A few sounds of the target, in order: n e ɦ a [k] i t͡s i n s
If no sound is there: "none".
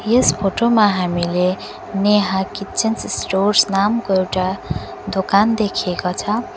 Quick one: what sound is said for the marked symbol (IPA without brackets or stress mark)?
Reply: k